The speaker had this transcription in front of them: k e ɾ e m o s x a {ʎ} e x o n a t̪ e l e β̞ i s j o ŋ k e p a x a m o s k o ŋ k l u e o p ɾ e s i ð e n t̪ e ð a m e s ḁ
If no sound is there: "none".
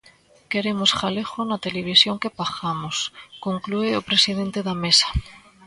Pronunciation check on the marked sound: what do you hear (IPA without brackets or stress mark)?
l